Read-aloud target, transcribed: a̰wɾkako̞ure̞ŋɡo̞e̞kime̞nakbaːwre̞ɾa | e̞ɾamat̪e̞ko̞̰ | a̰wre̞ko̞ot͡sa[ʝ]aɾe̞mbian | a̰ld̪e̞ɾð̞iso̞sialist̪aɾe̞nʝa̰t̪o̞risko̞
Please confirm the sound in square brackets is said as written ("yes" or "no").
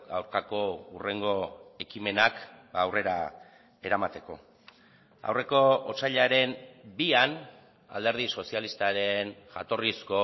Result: no